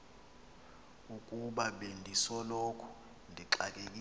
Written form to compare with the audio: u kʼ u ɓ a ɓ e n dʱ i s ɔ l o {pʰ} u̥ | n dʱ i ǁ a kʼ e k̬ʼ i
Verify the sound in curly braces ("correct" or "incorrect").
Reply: incorrect